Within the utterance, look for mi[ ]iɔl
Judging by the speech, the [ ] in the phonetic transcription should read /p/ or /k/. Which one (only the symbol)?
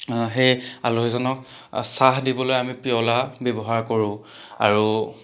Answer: p